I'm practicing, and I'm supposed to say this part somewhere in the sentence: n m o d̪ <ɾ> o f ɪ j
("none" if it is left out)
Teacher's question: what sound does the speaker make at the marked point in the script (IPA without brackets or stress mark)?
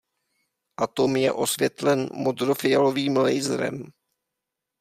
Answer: ɾ